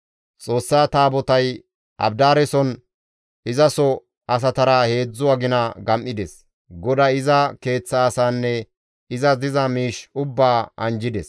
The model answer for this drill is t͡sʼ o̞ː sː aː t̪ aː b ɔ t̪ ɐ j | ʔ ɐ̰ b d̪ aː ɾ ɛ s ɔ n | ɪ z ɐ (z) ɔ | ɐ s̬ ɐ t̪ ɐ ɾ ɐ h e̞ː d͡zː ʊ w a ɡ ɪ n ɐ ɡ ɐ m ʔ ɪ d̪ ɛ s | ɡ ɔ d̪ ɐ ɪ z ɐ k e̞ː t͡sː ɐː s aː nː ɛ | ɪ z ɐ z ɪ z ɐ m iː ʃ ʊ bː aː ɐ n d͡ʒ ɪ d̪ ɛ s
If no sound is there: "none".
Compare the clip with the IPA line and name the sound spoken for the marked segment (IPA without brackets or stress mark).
s